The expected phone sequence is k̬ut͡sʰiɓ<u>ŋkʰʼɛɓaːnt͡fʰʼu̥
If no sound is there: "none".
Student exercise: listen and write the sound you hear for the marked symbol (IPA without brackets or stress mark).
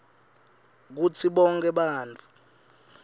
ɔ